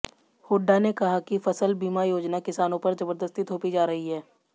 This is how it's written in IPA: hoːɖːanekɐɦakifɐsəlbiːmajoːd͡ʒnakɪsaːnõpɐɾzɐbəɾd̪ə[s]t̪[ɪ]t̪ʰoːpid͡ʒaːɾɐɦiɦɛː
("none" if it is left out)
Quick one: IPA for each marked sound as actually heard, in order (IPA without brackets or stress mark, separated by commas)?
s, i